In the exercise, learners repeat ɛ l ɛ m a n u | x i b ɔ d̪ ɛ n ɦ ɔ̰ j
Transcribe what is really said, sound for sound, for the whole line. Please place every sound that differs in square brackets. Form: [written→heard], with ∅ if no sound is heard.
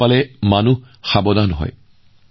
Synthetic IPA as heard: [ɛ→a] l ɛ m a n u | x [i→a] b ɔ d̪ [ɛ→a] n ɦ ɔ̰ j

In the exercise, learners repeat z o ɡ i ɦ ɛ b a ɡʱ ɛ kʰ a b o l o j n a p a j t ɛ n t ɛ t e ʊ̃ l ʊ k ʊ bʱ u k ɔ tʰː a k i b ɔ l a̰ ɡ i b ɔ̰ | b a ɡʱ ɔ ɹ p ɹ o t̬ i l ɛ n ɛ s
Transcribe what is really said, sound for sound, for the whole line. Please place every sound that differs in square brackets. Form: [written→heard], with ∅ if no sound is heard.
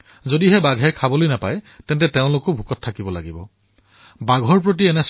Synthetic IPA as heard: z o [ɡ→d] i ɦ ɛ b a ɡʱ ɛ kʰ a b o l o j n a p a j t ɛ n t ɛ t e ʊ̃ l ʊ k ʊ bʱ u k ɔ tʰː a k i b ɔ l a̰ ɡ i b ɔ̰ | b a ɡʱ ɔ ɹ p ɹ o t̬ i [l→∅] ɛ n ɛ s

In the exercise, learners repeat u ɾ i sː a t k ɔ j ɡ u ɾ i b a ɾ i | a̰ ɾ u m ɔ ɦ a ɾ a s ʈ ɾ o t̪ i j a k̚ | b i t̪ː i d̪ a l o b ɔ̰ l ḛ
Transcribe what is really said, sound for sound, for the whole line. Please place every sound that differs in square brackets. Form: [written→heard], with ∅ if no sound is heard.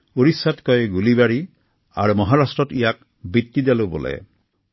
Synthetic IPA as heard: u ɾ i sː a t k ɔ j ɡ u [ɾ→l] i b a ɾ i | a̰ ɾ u m ɔ ɦ a ɾ a s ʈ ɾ [o→ɔ] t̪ i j a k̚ | b i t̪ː i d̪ a l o b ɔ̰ l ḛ

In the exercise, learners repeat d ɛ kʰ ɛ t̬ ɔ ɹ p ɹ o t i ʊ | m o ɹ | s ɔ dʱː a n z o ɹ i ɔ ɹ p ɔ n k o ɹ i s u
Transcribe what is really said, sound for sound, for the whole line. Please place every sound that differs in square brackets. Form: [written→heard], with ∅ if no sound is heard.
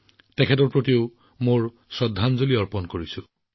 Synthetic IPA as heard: [d→t] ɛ kʰ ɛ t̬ ɔ ɹ p ɹ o t i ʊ | m o ɹ | s ɔ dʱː a n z o [ɹ→l] i ɔ ɹ p ɔ n k o ɹ i s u

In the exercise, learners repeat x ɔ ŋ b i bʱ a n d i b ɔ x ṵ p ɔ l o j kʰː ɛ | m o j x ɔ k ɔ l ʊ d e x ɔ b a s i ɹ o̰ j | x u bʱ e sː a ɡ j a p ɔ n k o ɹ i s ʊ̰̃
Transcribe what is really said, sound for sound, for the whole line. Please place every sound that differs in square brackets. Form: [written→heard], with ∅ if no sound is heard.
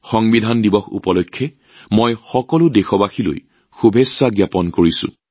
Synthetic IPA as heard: x ɔ ŋ b i [bʱ→dʱ] a n d i b ɔ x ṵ p ɔ l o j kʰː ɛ | m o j x ɔ k ɔ l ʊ d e x ɔ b a [s→x] i [ɹ→l] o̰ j | x u bʱ e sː a ɡ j a p ɔ n k o ɹ i s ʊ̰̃

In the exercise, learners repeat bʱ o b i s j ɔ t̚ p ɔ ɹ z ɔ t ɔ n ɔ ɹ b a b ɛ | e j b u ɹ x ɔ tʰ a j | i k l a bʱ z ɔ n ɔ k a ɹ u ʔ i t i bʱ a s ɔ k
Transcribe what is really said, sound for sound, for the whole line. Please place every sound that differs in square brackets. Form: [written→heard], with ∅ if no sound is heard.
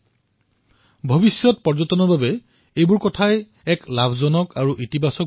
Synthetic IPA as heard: bʱ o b i s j ɔ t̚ p ɔ ɹ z ɔ t ɔ n ɔ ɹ b a b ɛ | e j b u ɹ [x→k] ɔ tʰ a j | [i→ɛ] k l a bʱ z ɔ n ɔ k a ɹ u ʔ i t i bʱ a s ɔ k

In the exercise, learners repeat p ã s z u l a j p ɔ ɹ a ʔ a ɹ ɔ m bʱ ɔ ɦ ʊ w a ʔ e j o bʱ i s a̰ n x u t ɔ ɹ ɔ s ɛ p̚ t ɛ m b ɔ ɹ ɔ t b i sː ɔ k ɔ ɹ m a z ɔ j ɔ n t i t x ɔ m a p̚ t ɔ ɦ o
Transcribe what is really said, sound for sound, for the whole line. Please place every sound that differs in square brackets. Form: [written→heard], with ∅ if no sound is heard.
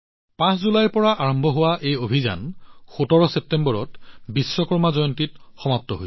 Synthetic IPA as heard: p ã s z u l a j p ɔ ɹ a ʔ a ɹ ɔ m bʱ ɔ ɦ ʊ w a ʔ e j o bʱ i [s→z] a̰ n x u t ɔ ɹ ɔ s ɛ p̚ t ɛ m b ɔ ɹ ɔ t b i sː ɔ k ɔ ɹ m a z ɔ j ɔ n t i t x ɔ m a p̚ t ɔ ɦ o

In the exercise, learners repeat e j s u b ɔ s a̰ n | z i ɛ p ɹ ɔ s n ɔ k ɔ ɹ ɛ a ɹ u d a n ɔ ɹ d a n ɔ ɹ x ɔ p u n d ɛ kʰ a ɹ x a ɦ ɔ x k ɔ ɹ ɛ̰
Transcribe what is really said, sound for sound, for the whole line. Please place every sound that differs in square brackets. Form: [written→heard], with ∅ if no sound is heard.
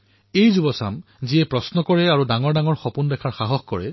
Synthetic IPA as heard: e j [s→z] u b ɔ s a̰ [n→m] | z i ɛ p ɹ ɔ s n ɔ k ɔ ɹ ɛ a ɹ u d a [n→ŋ] ɔ ɹ d a [n→ŋ] ɔ ɹ x ɔ p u n d ɛ kʰ a ɹ x a ɦ ɔ x k ɔ ɹ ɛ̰

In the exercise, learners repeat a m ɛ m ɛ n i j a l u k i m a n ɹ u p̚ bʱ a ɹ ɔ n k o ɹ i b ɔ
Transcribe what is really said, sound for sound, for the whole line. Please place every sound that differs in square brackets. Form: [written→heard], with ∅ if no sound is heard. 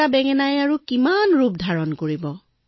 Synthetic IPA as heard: a [m→b] ɛ [m→ŋ] ɛ n [i→a] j a [l→ɹ] u k i m a n ɹ u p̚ [bʱ→dʱ] a ɹ ɔ n k o ɹ i b ɔ

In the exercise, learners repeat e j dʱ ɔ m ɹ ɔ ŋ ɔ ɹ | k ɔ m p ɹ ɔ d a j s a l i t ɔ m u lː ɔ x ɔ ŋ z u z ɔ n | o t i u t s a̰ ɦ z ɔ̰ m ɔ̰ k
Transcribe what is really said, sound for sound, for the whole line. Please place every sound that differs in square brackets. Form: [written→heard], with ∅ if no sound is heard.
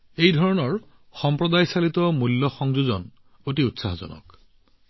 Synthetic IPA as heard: e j dʱ ɔ [m→∅] ɹ ɔ [ŋ→n] ɔ ɹ | [k→x] ɔ m p ɹ ɔ d a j s a l i t ɔ m u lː ɔ x ɔ ŋ z u z ɔ n | o t i u t s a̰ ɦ z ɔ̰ [m→n] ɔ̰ k

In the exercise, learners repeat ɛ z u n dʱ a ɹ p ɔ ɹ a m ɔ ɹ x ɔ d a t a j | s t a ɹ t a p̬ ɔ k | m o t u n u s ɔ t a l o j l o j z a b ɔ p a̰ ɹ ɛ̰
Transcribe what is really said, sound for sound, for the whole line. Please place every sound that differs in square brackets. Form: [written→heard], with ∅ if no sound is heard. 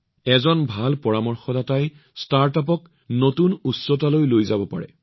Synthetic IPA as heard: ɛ z [u→ɔ] n [dʱ→bʱ] a [ɹ→l] p ɔ ɹ a m ɔ ɹ x ɔ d a t a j | s t a ɹ t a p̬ ɔ k | [m→n] o t u n u s ɔ t a l o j l o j z a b ɔ p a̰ ɹ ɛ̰

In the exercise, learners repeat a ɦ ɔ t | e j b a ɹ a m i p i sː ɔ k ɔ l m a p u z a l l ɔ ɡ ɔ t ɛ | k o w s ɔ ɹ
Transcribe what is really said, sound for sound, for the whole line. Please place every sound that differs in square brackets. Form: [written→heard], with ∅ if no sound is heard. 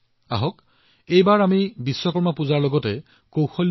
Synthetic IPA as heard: a ɦ ɔ [t→k] | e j b a ɹ a m i [p→b] i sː ɔ k ɔ [l→ɹ] m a p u z a [l→ɹ] l ɔ ɡ ɔ t ɛ | k o w [s→x] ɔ [ɹ→l]

